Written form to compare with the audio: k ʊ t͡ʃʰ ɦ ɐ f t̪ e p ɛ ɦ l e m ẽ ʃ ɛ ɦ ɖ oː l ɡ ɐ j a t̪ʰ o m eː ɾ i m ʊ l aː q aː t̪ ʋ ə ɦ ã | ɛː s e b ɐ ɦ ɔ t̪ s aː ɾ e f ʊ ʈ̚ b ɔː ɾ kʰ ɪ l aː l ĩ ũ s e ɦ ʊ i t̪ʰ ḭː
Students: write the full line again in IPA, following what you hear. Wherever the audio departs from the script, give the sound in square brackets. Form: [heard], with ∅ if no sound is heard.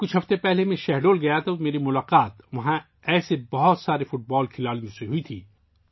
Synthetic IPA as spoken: k ʊ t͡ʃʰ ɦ ɐ f t̪ e p ɛ ɦ l e m ẽ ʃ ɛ ɦ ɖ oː l ɡ ɐ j a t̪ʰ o m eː ɾ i m ʊ l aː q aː t̪ ʋ [ɐ] ɦ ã | ɛː s e b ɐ ɦ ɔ t̪ s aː ɾ e f ʊ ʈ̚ b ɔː [l] kʰ ɪ l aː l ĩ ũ s e ɦ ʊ i t̪ʰ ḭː